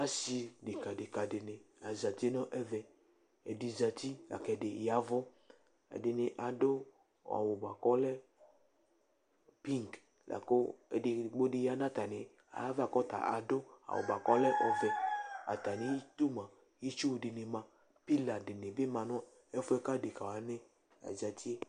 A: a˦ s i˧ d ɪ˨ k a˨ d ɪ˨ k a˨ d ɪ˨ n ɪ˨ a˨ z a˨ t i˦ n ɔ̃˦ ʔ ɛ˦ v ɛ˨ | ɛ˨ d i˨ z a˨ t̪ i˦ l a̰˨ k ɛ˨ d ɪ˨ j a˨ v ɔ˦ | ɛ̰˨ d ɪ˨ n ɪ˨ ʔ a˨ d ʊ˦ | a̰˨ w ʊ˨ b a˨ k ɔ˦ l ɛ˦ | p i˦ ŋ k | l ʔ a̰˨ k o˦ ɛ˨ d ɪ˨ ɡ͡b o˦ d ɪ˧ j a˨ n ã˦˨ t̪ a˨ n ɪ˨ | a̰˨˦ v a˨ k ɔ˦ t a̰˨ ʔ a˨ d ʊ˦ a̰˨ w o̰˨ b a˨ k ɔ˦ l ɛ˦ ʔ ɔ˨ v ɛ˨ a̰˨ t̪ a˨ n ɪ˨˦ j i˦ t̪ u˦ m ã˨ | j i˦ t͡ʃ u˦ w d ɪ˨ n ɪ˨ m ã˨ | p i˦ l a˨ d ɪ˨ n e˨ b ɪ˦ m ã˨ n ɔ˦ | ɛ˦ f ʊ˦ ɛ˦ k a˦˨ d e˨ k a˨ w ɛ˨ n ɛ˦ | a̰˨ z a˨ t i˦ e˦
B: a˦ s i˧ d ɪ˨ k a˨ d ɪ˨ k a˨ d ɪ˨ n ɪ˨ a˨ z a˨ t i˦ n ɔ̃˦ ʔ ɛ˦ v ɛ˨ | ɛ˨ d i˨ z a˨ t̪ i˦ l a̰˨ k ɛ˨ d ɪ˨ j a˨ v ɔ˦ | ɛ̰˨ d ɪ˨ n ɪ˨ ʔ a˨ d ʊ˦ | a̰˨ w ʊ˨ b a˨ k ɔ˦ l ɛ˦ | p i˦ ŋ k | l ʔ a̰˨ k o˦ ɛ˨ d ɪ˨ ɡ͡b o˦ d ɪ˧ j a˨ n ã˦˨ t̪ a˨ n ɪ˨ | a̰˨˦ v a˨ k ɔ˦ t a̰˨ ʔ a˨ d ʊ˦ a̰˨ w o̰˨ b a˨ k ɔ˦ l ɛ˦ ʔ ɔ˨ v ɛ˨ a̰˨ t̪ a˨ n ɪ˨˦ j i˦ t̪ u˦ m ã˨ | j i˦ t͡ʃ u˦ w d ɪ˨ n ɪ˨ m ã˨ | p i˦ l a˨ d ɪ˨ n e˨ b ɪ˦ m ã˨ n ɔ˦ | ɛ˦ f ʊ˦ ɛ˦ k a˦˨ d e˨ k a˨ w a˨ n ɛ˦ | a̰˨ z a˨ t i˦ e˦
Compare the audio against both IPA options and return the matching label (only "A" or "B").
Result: B